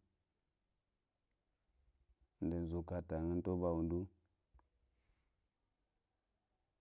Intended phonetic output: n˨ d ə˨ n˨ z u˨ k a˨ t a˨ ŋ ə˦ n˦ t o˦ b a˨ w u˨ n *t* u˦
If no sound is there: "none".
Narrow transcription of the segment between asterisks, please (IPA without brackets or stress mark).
d